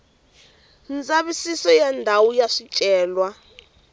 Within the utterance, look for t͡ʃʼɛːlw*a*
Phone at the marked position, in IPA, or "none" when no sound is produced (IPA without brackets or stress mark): a